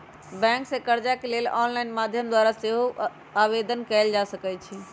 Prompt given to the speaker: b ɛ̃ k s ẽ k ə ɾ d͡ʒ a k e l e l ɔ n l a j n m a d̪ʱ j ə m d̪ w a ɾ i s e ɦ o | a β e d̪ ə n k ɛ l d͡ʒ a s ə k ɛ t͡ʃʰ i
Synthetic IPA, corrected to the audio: b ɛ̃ k s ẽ k ə ɾ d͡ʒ a k e l e l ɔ n l a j n m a d̪ʱ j ə m d̪ w a ɾ a s e ɦ o | a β e d̪ ə n k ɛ l d͡ʒ a s ə k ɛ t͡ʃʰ i